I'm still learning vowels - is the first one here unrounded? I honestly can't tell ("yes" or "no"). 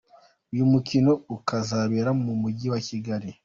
no